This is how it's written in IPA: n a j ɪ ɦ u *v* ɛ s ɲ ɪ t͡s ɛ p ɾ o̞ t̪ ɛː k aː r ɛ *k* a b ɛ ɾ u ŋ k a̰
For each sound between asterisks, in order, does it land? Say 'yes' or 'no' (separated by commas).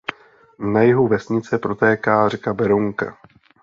yes, yes